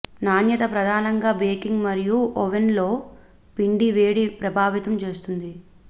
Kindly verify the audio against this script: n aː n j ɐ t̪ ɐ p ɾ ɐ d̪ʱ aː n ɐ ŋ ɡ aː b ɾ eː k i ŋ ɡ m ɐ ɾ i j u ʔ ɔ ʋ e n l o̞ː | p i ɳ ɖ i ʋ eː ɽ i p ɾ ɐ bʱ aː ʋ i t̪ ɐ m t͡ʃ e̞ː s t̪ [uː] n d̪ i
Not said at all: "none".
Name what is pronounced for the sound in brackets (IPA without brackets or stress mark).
u